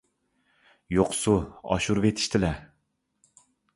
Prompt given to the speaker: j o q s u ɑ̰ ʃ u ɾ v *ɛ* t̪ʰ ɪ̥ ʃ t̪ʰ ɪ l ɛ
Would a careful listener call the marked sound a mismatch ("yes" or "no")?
yes